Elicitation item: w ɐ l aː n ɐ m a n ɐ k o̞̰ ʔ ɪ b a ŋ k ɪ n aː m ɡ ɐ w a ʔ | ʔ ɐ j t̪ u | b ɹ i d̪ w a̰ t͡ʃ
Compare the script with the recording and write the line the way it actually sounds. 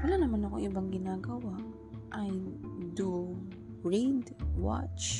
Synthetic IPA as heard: w ɐ l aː n ɐ m a n ɐ k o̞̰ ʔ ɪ b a ŋ ɡ ɪ n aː ɡ ɐ w a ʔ | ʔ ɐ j d̪ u | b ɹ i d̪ w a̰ t͡ʃ